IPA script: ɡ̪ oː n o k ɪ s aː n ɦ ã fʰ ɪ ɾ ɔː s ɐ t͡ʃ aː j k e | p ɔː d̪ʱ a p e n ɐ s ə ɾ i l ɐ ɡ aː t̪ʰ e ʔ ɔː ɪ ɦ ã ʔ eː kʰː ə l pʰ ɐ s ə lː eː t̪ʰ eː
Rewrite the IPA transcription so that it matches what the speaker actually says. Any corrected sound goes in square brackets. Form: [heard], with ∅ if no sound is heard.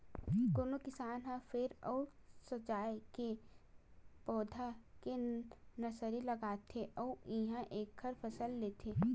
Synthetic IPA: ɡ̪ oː n o k ɪ s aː n ɦ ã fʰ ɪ ɾ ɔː s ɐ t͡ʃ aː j k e | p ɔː d̪ʱ a [k] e n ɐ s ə ɾ i l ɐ ɡ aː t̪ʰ e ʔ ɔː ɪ ɦ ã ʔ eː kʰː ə [ɾ] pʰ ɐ s ə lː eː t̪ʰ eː

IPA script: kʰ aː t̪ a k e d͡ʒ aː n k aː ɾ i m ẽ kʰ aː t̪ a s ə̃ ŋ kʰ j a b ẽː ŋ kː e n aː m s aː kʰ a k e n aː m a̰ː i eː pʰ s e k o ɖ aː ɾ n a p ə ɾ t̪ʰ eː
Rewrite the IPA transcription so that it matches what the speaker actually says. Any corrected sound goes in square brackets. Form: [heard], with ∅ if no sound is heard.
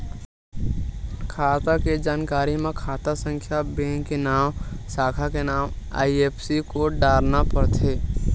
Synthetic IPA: kʰ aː t̪ a k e d͡ʒ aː n k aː ɾ i m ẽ kʰ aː t̪ a s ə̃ ŋ kʰ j a b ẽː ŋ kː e n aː m s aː kʰ a k e n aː m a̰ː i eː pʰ s [i] k o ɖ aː ɾ n a p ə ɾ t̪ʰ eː

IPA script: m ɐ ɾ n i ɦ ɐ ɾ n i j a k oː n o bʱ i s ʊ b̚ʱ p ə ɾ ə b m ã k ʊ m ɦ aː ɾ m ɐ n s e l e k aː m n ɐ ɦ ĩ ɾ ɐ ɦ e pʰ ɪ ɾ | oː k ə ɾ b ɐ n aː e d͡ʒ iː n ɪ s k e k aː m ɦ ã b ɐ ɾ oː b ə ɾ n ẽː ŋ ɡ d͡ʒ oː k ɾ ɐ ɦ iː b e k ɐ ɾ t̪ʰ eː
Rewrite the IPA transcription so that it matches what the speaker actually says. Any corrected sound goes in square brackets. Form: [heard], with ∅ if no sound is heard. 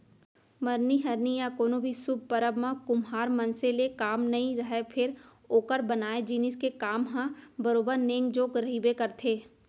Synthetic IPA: m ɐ ɾ n i ɦ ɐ ɾ n i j a k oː n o bʱ i s ʊ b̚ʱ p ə ɾ ə b m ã k ʊ m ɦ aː ɾ m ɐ n s e l e k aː m n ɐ ɦ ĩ ɾ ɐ ɦ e pʰ ɪ ɾ | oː k ə ɾ b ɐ n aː e d͡ʒ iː n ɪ s k e k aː m ɦ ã b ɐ ɾ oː b ə ɾ n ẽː ŋ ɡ d͡ʒ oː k ɾ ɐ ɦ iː b e k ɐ ɾ t̪ʰ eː

